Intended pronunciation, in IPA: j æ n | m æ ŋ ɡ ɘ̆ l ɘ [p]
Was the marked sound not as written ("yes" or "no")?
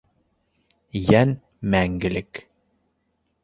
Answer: yes